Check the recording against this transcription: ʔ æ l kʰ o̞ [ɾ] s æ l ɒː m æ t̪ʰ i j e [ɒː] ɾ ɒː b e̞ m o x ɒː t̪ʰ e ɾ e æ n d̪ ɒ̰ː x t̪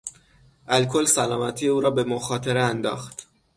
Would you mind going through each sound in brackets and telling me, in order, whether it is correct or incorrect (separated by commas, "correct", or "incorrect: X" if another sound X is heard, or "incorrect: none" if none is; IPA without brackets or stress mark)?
incorrect: l, incorrect: uː